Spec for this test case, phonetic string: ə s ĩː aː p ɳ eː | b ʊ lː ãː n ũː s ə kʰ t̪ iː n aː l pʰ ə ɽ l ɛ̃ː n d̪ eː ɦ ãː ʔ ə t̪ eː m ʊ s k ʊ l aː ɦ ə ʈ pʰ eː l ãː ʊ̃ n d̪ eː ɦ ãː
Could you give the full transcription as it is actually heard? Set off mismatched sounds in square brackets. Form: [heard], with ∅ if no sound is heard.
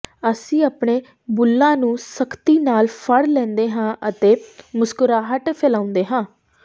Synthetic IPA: ə s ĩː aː p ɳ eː | b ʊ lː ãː n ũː s ə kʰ t̪ iː n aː l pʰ ə ɽ l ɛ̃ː n d̪ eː ɦ ãː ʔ ə t̪ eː m ʊ s k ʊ [ɾ] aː ɦ ə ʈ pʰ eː l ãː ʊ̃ n d̪ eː ɦ ãː

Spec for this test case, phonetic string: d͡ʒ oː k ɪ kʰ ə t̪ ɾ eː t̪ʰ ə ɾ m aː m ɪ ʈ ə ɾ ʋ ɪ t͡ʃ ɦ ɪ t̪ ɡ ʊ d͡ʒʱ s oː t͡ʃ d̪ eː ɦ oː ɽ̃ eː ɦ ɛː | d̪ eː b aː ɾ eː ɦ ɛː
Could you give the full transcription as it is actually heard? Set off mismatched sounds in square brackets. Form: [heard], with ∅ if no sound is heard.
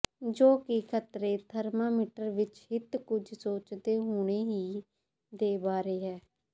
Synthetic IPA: d͡ʒ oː k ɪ kʰ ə t̪ ɾ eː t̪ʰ ə ɾ m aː m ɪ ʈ ə ɾ ʋ ɪ t͡ʃ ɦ ɪ t̪ [k] ʊ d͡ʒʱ s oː t͡ʃ d̪ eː ɦ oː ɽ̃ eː ɦ [iː] | d̪ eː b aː ɾ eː ɦ ɛː

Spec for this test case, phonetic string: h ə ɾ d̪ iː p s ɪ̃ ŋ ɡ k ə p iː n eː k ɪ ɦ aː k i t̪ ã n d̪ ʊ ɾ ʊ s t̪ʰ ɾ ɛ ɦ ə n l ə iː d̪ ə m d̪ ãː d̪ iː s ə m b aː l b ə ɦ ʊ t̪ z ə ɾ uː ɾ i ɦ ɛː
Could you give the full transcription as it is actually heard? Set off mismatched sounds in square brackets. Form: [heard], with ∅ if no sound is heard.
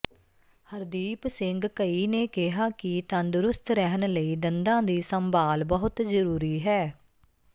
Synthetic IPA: h ə ɾ d̪ iː p s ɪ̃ ŋ ɡ k ə [∅] iː n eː k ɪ ɦ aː k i t̪ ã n d̪ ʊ ɾ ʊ s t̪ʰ ɾ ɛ ɦ ə n l ə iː d̪ ə [n] d̪ ãː d̪ iː s ə m b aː l b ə ɦ ʊ t̪ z ə ɾ uː ɾ [iː] ɦ ɛː

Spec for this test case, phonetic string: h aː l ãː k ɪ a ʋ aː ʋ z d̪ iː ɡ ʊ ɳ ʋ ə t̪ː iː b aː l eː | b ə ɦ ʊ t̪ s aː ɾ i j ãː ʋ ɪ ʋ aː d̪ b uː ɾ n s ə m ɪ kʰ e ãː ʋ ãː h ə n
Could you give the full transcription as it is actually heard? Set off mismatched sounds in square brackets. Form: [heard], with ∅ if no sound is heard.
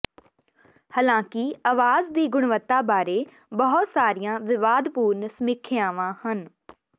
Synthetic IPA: h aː l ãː k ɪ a ʋ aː [∅] z d̪ iː ɡ ʊ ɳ ʋ ə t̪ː [aː] b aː [ɾ] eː | b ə ɦ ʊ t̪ s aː ɾ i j ãː ʋ ɪ ʋ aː d̪ [p] uː ɾ n s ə m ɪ kʰ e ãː ʋ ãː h ə n

